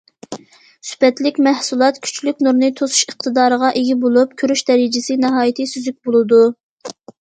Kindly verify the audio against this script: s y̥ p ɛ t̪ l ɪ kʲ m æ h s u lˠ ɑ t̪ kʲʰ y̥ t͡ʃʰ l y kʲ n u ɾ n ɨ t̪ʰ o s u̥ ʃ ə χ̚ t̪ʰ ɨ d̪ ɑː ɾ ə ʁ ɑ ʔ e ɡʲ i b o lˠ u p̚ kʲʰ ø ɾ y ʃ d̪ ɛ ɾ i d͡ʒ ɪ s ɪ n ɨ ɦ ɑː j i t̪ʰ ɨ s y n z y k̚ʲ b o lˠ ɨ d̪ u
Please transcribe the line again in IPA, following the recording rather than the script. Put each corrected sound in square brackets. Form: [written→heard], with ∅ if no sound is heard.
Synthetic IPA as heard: s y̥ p ɛ t̪ l ɪ kʲ m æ h s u lˠ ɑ t̪ kʲʰ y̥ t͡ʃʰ l y kʲ n u ɾ n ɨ t̪ʰ o s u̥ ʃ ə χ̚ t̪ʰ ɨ d̪ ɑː ɾ ə ʁ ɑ ʔ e ɡʲ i b o lˠ u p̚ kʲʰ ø ɾ y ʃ d̪ ɛ ɾ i d͡ʒ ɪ s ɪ n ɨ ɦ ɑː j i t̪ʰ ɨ s y [n→∅] z y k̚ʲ b o lˠ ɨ d̪ u

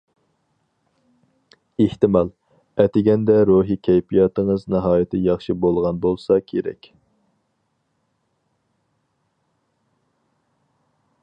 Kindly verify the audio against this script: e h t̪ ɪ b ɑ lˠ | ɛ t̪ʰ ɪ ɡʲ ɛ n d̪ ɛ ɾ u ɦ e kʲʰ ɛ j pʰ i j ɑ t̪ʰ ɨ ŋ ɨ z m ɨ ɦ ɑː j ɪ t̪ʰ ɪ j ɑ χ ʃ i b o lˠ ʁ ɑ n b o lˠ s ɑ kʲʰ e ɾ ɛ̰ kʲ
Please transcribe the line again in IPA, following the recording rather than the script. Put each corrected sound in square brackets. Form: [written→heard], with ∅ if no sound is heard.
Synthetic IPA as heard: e h t̪ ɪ [b→m] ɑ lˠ | ɛ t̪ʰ ɪ ɡʲ ɛ n d̪ ɛ ɾ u ɦ [e→i] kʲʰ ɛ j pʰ i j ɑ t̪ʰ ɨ ŋ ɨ z [m→n] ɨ ɦ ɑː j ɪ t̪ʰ ɪ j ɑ χ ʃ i b o lˠ ʁ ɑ n b o lˠ s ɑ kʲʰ e ɾ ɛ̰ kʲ

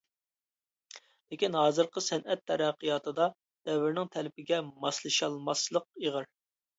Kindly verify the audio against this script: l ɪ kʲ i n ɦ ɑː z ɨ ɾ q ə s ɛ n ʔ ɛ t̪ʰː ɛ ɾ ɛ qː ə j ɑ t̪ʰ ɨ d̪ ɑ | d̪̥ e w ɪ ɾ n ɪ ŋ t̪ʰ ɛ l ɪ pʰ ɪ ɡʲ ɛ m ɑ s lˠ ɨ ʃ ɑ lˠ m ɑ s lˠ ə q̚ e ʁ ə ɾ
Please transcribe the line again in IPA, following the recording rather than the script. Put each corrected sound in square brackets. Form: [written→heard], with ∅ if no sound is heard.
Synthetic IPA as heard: l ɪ kʲ i n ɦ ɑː z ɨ ɾ q ə s ɛ n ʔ ɛ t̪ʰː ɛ ɾ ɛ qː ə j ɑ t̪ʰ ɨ d̪ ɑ | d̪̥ [e→ɛ] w ɪ ɾ n ɪ ŋ t̪ʰ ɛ l ɪ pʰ ɪ ɡʲ ɛ m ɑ s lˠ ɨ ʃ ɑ lˠ m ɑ s lˠ ə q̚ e ʁ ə ɾ

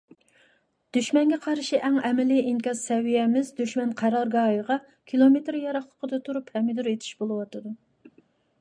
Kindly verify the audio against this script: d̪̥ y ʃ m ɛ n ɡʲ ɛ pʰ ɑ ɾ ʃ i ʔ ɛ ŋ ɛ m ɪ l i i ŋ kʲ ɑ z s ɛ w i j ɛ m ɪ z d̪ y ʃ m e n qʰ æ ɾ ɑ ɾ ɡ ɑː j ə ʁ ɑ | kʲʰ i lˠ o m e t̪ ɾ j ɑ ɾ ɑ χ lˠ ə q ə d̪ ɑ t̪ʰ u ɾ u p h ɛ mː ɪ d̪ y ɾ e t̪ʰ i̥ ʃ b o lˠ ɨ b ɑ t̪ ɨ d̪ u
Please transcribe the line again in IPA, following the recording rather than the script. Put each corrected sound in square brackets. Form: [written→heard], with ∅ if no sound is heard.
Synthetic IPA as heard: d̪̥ y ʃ m ɛ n ɡʲ ɛ [pʰ→qʰ] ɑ ɾ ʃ i ʔ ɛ ŋ ɛ m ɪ l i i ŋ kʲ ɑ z s ɛ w i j ɛ m ɪ z d̪ y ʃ m [e→ɛ] n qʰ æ ɾ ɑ ɾ ɡ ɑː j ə ʁ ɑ | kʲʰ i lˠ o m e t̪ ɾ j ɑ ɾ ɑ χ lˠ ə q ə d̪ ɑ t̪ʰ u ɾ u p h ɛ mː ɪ d̪ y ɾ e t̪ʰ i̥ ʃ b o lˠ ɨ [b→w] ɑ t̪ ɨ d̪ u

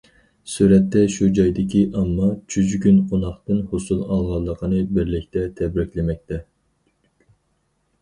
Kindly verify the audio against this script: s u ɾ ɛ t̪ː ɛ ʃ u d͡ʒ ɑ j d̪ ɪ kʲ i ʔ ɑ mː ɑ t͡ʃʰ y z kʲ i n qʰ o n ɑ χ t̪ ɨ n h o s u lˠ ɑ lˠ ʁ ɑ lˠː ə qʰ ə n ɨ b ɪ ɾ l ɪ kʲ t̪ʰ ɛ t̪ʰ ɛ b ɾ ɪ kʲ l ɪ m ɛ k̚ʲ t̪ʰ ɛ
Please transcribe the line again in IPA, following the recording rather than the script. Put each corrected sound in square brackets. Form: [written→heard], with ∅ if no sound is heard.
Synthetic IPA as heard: s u ɾ ɛ t̪ː ɛ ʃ u d͡ʒ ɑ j d̪ ɪ kʲ i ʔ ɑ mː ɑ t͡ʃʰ y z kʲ [i→y] n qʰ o n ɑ χ t̪ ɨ n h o s u lˠ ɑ lˠ ʁ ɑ lˠː ə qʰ ə n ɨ b ɪ ɾ l ɪ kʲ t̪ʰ ɛ t̪ʰ ɛ b ɾ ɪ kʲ l ɪ m ɛ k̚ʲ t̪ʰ ɛ

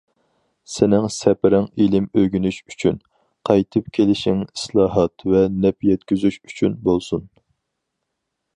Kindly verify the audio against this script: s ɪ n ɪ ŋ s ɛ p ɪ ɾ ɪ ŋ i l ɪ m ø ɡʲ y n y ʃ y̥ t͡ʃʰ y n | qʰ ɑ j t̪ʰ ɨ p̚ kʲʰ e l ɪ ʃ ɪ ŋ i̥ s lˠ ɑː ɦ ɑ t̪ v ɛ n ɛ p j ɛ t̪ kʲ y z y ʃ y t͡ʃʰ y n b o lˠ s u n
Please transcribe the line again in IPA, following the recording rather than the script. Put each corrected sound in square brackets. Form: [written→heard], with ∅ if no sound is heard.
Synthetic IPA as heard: s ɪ n ɪ ŋ s ɛ p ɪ ɾ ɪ ŋ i l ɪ m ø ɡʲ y n y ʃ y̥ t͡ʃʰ y n | qʰ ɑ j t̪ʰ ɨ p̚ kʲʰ e l ɪ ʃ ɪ ŋ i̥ s lˠ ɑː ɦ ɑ t̪ v ɛ n ɛ p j ɛ t̪ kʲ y z y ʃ y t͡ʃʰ y n b o lˠ s u n

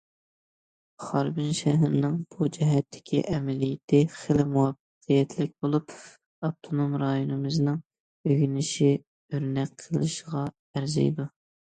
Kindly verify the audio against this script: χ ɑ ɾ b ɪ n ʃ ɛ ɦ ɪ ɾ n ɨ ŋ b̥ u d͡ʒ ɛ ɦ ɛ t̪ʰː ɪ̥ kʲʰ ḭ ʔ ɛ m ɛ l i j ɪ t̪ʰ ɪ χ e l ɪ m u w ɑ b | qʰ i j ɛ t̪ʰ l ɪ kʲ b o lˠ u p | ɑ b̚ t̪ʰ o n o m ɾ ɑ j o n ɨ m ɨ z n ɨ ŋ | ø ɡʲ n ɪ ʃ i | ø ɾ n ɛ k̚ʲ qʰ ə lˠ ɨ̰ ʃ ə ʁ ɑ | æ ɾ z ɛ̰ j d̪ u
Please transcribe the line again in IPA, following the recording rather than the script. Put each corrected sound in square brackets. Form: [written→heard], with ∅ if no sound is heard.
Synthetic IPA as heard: χ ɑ ɾ b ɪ n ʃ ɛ ɦ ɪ ɾ n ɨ ŋ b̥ u d͡ʒ ɛ ɦ ɛ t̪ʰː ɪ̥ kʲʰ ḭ ʔ ɛ m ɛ l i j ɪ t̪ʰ ɪ χ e l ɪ m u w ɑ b | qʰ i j ɛ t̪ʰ l ɪ kʲ b o lˠ u p | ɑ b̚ t̪ʰ o n o m ɾ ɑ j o n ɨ m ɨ z n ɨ ŋ | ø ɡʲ n ɪ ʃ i | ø ɾ n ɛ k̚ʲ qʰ ə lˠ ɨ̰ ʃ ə ʁ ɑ | æ ɾ z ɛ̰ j d̪ u

